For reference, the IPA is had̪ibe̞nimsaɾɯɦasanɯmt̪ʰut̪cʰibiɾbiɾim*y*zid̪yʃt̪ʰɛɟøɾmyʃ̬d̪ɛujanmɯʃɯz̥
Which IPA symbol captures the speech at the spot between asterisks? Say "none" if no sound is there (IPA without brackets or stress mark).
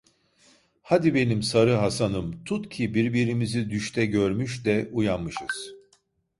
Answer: i